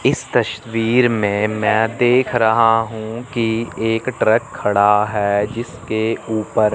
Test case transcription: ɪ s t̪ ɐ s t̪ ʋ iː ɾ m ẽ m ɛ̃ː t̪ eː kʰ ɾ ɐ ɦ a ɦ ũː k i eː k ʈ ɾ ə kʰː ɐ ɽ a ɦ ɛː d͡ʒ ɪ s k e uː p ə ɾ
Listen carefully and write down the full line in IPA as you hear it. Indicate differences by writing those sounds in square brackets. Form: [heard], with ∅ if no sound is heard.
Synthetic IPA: ɪ s t̪ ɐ [ʃ] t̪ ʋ iː ɾ m ẽ m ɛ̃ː [d̪] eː kʰ ɾ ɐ ɦ a ɦ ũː k i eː k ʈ ɾ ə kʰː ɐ ɽ a ɦ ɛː d͡ʒ ɪ s k e uː p ə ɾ